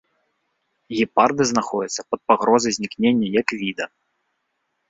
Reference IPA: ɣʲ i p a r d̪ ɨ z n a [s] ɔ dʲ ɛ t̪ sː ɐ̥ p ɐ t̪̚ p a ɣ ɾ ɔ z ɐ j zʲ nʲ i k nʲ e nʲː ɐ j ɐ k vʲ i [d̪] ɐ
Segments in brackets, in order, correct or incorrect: incorrect: x, correct

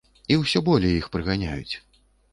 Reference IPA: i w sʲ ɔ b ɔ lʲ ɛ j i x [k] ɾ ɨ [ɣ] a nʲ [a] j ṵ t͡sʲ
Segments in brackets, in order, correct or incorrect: incorrect: p, correct, correct

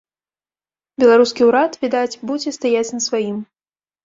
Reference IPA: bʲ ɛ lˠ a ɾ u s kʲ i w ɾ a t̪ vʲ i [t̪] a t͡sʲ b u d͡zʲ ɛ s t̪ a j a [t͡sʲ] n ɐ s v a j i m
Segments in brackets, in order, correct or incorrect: incorrect: d̪, correct

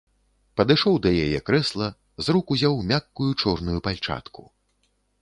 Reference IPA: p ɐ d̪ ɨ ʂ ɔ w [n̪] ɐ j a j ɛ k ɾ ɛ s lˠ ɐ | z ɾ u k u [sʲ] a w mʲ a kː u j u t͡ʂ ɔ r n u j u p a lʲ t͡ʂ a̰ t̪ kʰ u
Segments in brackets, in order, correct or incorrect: incorrect: d̪, incorrect: zʲ

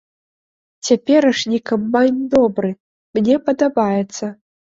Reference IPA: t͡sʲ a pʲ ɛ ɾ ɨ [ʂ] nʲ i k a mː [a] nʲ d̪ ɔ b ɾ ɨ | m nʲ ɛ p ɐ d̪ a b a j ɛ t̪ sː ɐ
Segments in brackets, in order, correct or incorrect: correct, correct

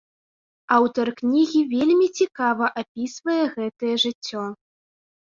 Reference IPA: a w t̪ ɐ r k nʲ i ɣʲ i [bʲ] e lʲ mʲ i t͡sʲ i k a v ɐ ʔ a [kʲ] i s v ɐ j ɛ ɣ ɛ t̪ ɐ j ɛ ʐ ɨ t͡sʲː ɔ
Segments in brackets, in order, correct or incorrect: incorrect: vʲ, incorrect: pʲ

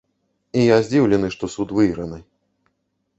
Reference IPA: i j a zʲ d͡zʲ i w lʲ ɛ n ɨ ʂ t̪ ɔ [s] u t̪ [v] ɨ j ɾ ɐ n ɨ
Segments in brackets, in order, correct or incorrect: correct, correct

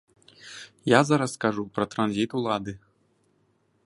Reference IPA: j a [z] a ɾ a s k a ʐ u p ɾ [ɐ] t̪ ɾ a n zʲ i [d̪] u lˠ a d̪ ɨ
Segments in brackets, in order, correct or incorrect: correct, correct, incorrect: t̪

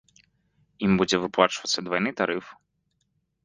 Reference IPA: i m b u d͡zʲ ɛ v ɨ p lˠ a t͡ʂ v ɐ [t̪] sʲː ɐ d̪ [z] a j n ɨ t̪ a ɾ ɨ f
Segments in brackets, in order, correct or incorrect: correct, incorrect: v

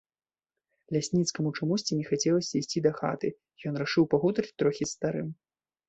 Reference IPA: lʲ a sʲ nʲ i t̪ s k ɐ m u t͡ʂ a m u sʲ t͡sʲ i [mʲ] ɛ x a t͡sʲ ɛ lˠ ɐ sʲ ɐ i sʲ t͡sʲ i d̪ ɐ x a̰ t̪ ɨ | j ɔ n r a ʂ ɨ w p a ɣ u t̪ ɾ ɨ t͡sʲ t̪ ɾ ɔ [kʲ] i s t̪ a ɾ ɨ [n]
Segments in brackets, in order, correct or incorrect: incorrect: nʲ, incorrect: xʲ, incorrect: m

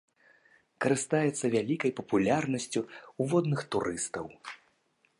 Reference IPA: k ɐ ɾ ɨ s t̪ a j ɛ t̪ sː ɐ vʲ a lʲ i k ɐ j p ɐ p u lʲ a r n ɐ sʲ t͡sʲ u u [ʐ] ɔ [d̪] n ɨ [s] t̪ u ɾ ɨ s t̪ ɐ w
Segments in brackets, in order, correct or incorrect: incorrect: v, correct, incorrect: x

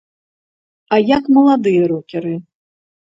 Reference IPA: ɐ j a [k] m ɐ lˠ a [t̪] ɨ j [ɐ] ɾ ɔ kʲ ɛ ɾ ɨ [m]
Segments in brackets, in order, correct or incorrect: correct, incorrect: d̪, correct, incorrect: none

